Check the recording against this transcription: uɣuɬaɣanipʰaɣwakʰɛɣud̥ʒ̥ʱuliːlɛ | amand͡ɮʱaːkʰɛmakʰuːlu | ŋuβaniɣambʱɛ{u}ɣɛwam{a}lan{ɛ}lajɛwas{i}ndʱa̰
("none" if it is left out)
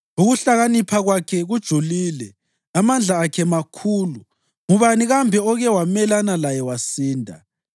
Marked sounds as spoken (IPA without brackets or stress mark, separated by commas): ɔ, ɛ, a, iː